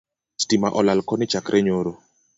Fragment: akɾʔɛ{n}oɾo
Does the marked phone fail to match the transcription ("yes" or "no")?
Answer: yes